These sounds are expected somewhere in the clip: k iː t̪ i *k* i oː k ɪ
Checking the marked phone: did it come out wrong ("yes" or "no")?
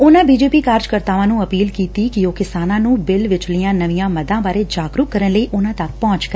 no